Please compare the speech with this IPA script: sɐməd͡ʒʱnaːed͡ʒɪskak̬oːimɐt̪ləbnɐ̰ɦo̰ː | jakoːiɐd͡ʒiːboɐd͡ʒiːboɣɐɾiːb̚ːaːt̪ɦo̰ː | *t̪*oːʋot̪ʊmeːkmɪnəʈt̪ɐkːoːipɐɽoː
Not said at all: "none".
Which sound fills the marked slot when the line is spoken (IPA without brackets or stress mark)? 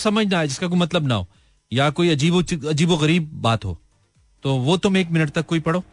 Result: t̪